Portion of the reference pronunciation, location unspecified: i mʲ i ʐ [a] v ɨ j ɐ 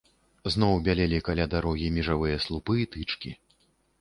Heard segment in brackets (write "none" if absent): a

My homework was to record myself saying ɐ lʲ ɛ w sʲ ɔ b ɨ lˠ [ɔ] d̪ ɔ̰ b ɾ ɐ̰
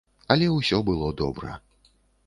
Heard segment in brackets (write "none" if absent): ɔ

